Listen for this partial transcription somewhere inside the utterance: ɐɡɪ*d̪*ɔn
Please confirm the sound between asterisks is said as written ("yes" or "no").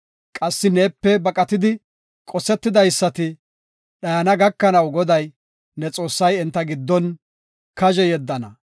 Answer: no